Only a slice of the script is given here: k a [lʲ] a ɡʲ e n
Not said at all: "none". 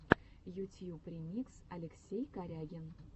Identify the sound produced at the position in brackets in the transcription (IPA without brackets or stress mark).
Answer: ɾʲ